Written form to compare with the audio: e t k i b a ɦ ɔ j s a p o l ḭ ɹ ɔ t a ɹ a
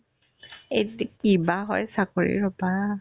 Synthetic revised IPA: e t k i b a ɦ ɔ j s a k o ɹ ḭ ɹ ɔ p a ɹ a